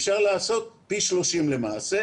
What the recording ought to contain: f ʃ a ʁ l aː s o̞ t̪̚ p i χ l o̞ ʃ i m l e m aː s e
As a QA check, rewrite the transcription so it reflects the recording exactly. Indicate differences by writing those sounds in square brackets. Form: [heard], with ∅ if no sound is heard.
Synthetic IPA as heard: f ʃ a ʁ l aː s o̞ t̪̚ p i [ʃ] l o̞ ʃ i m l e m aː s e